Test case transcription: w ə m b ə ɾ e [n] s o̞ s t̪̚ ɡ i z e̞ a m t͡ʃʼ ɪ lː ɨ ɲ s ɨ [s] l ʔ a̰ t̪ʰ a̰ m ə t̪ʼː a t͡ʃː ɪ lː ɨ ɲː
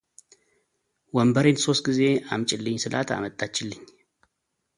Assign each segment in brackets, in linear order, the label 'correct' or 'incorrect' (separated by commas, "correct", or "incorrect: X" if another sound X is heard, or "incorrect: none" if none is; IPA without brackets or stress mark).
correct, incorrect: none